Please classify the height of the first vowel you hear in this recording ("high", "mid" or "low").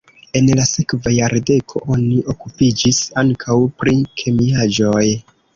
mid